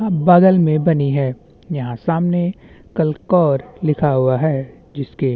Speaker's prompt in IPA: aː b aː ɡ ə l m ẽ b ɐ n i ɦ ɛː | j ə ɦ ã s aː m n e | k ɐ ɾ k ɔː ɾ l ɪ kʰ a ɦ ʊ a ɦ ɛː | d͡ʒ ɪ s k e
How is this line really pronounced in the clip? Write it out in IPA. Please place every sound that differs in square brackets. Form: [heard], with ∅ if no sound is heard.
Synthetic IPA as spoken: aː b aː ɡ ə l m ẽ b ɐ n i ɦ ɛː | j [ɐ] ɦ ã s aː m n e | k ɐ [l] k ɔː ɾ l ɪ kʰ a ɦ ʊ a ɦ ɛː | d͡ʒ ɪ s k e